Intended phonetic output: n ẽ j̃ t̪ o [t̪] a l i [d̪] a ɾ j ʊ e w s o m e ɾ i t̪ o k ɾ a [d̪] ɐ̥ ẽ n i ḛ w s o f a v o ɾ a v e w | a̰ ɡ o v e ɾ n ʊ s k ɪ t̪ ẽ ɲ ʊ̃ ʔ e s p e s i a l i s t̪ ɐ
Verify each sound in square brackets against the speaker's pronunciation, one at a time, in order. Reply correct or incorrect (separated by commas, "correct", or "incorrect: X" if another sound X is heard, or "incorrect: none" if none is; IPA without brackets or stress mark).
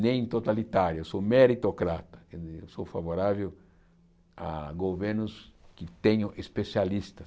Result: correct, incorrect: t̪, incorrect: t̪